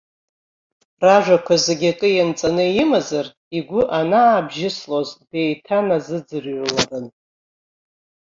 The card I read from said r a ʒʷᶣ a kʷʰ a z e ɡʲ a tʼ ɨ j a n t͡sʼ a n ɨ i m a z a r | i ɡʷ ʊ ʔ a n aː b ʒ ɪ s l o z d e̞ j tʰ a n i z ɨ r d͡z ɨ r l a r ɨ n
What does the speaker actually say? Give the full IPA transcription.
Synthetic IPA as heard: r a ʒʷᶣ a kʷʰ a z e ɡʲ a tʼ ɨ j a n t͡sʼ a n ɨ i m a z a r | i ɡʷ ʊ ʔ a n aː b ʒ ɪ s l o z d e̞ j tʰ a n a z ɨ d͡z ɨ r l a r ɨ n